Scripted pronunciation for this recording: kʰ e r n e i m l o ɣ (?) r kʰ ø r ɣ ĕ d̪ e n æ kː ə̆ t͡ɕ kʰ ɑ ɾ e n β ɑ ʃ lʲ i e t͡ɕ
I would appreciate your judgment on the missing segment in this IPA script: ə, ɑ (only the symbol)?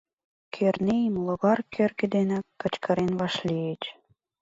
ɑ